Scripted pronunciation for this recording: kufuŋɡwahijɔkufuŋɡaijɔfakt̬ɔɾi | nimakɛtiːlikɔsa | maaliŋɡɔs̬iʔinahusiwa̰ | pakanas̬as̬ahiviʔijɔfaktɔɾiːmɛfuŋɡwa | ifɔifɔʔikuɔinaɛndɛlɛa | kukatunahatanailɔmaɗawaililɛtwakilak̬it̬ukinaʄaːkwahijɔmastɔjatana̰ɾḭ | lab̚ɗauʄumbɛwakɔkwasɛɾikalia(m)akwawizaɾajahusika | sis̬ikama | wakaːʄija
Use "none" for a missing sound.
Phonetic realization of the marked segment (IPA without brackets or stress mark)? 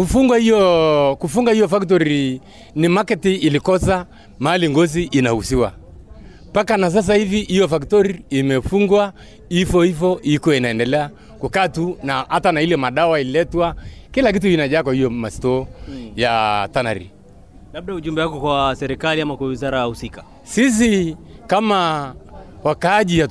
m